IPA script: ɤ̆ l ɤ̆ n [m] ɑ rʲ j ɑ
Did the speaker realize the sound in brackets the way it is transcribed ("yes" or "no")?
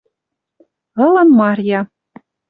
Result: yes